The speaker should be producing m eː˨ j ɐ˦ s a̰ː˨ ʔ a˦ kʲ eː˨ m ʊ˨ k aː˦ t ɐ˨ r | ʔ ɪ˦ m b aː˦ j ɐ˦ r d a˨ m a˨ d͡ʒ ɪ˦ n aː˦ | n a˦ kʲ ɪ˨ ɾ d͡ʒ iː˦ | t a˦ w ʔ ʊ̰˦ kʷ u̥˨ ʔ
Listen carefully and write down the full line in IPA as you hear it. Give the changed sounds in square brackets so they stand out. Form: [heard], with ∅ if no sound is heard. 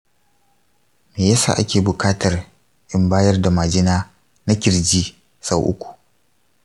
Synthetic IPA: m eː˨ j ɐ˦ s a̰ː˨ ʔ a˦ kʲ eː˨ [b] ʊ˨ k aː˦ t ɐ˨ r | ʔ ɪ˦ m b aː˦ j ɐ˦ r d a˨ m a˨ d͡ʒ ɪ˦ n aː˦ | n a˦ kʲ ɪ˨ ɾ d͡ʒ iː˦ | [s] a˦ w ʔ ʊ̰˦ kʷ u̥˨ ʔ